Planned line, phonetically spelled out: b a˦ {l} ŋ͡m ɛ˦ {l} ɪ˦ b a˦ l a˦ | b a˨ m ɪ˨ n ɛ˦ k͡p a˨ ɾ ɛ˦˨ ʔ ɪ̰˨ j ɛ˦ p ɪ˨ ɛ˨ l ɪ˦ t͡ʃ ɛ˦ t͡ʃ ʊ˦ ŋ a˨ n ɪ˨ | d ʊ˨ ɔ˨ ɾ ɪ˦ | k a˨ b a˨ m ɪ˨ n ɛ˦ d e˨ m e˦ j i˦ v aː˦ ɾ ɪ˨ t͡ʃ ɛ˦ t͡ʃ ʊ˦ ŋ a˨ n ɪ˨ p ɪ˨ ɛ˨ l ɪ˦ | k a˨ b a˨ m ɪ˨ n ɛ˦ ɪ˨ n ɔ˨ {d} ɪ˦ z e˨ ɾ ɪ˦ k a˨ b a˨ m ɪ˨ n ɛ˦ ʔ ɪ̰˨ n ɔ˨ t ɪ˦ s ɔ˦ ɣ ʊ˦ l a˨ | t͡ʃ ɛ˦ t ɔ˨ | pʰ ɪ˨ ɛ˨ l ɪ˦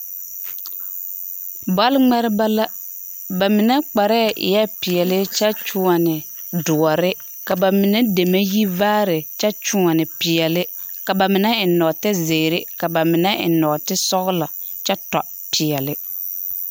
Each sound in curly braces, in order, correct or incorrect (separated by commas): correct, incorrect, incorrect